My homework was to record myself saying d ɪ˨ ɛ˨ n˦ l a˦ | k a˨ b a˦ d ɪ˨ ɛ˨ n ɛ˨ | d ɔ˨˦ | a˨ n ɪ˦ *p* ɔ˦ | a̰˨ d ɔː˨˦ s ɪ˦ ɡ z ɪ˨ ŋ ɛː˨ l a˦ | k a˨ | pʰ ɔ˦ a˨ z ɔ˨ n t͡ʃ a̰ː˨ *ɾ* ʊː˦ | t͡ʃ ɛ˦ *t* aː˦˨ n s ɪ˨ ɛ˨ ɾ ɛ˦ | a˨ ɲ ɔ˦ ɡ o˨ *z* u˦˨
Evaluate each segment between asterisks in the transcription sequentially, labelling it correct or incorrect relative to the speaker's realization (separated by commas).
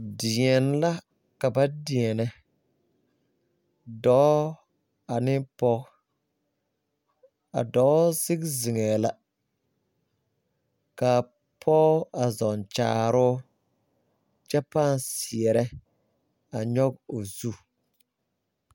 correct, correct, incorrect, correct